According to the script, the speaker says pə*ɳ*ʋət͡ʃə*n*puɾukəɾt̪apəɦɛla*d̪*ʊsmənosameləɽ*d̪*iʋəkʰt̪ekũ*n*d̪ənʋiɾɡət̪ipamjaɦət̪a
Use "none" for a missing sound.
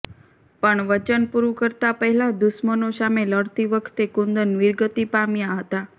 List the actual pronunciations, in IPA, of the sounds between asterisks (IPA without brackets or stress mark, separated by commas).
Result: ɳ, n, d̪, t̪, n